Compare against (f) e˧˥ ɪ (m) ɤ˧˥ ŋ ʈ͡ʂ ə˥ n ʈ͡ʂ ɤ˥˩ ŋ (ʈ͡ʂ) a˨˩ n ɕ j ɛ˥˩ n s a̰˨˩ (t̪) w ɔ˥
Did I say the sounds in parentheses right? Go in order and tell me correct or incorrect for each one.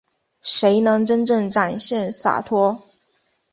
incorrect, incorrect, correct, incorrect

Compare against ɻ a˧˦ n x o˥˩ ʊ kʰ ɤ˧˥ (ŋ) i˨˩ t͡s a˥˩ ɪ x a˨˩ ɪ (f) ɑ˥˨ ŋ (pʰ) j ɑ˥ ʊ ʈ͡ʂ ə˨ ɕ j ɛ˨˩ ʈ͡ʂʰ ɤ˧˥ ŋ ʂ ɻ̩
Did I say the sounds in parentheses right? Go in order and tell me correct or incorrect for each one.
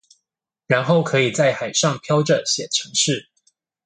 incorrect, incorrect, correct

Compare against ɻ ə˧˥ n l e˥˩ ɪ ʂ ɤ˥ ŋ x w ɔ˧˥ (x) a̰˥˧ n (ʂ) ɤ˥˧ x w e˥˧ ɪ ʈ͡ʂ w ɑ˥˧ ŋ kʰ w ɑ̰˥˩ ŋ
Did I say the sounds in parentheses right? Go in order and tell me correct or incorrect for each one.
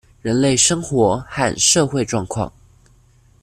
correct, correct

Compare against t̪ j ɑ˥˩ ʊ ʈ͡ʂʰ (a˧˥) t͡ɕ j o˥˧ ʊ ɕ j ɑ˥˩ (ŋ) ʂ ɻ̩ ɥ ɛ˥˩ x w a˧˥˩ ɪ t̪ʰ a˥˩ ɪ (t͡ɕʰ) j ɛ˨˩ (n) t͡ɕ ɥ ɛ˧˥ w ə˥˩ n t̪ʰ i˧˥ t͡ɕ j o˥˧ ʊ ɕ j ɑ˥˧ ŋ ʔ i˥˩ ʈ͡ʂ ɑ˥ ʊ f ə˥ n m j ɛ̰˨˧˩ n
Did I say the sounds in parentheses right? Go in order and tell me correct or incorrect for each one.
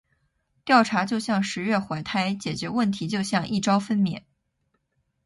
correct, correct, incorrect, incorrect

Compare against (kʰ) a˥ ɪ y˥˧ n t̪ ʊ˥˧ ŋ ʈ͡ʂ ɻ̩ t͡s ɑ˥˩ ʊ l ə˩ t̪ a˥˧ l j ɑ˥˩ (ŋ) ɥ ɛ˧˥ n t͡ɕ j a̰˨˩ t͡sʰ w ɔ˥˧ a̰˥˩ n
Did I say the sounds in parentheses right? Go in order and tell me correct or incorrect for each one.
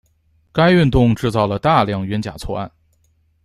incorrect, correct

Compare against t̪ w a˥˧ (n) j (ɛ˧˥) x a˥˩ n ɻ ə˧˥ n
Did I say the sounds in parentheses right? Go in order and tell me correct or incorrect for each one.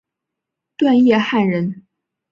correct, incorrect

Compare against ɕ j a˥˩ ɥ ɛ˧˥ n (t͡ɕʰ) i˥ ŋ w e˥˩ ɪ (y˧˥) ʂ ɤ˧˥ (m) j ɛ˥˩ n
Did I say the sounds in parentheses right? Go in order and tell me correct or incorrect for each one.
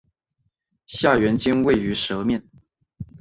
incorrect, correct, correct

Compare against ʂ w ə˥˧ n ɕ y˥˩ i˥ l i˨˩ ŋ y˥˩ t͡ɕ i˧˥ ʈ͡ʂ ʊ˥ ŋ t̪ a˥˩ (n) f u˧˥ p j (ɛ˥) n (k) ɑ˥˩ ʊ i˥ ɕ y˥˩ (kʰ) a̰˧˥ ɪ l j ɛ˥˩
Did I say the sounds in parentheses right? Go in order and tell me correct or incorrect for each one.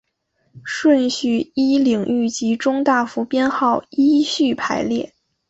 incorrect, correct, incorrect, incorrect

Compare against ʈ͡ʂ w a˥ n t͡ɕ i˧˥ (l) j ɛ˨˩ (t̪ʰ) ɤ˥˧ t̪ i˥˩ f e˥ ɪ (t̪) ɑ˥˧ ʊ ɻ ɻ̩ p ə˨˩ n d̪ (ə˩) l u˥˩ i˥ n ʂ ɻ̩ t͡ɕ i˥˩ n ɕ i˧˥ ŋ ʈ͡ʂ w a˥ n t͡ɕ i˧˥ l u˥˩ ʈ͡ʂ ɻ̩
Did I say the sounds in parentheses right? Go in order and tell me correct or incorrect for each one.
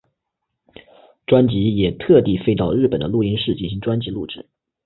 incorrect, correct, correct, incorrect

